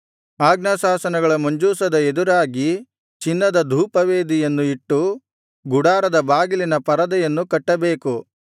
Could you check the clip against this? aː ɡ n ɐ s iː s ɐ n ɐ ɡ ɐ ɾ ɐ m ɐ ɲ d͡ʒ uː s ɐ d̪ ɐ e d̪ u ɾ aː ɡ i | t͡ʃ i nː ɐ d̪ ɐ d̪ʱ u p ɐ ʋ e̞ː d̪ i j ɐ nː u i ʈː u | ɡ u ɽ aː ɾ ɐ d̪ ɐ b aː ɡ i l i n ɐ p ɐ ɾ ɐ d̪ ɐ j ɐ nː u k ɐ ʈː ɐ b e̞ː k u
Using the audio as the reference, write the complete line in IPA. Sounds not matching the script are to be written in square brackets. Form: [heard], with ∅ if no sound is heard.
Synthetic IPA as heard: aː ɡ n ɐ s [aː] s ɐ n ɐ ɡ ɐ [ɭ] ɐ m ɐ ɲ d͡ʒ uː s ɐ d̪ ɐ e d̪ u ɾ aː ɡ i | t͡ʃ i nː ɐ d̪ ɐ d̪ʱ [uː] p ɐ ʋ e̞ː d̪ i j ɐ nː u i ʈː u | ɡ u ɽ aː ɾ ɐ d̪ ɐ b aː ɡ i l i n ɐ p ɐ ɾ ɐ d̪ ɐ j ɐ nː u k ɐ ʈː ɐ b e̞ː k u